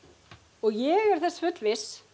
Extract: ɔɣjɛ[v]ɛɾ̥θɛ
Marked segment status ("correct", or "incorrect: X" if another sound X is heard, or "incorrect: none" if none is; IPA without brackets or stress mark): incorrect: ɣ